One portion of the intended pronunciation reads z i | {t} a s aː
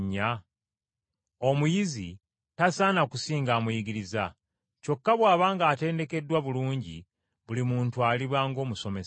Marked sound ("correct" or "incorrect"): correct